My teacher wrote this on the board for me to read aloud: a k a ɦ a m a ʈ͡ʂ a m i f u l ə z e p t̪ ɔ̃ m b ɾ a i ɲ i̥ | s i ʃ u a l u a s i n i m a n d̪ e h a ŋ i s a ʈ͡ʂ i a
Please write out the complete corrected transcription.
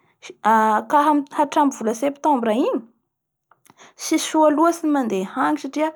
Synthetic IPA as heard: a k a ɦ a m a ʈ͡ʂ a m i v u l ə s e p t̪ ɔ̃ m b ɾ a i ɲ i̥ | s i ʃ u a l u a s i n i m a n d̪ e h a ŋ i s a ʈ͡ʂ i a